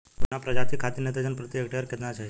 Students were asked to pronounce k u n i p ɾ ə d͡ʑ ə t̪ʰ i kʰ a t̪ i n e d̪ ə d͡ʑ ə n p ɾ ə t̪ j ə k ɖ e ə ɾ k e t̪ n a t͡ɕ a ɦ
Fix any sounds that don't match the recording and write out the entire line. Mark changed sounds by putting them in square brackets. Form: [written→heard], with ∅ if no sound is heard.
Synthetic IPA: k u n [i→a] p ɾ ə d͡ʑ [ə→a] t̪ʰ i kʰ a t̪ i n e [d̪→t̪] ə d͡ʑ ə n p ɾ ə t̪ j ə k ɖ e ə ɾ k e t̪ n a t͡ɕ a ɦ